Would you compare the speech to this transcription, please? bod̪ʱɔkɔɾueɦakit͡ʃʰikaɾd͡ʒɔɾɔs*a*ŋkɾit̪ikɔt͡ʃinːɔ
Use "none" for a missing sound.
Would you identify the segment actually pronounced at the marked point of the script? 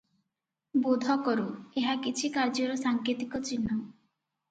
a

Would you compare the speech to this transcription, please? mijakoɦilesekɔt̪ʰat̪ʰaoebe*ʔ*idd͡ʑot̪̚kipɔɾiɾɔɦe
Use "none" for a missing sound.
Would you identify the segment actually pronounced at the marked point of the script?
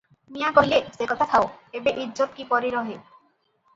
ʔ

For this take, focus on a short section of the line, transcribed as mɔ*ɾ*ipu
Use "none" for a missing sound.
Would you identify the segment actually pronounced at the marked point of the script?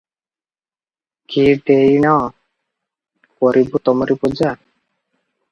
ɾ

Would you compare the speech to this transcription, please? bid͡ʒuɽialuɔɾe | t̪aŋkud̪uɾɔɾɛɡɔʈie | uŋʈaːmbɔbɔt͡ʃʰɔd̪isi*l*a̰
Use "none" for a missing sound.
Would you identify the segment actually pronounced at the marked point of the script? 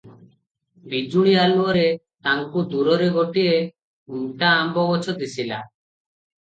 l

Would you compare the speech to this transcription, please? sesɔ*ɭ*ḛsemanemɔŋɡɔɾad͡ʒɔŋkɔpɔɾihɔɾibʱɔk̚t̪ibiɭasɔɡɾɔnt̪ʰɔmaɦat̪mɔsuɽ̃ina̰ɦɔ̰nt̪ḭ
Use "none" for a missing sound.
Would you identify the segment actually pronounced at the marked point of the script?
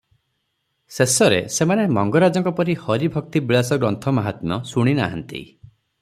ɾ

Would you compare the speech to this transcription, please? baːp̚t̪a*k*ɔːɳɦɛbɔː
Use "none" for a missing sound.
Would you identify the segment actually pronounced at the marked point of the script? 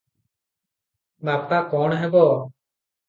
k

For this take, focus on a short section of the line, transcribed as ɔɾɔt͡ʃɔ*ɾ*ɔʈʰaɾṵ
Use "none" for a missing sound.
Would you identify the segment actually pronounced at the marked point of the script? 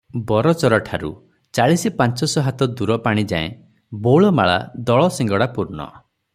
ɾ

